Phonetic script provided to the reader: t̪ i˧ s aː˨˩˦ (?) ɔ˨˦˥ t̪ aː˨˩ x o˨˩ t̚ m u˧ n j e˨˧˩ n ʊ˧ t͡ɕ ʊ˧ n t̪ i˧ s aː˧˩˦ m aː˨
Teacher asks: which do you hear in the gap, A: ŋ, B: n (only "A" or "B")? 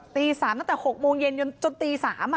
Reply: B